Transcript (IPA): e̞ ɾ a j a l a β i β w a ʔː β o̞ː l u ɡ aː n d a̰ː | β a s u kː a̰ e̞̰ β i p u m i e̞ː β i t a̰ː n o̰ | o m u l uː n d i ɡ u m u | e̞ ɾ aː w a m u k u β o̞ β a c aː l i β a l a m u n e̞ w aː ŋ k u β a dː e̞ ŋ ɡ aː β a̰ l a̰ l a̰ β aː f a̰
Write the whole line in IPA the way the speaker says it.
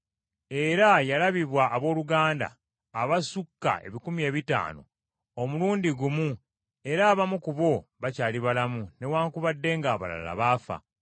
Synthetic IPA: e̞ ɾ a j a l a β i β w a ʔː β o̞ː l u ɡ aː n d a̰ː | β a s u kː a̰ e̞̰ β i k u m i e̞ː β i t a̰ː n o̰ | o m u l uː n d i ɡ u m u | e̞ ɾ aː β a m u k u β o̞ β a c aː l i β a l a m u n e̞ w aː ŋ k u β a dː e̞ ŋ ɡ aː β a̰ l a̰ l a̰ β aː f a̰